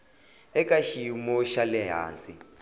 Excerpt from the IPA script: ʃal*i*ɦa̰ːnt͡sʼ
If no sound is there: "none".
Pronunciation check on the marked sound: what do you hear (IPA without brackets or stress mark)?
ɛ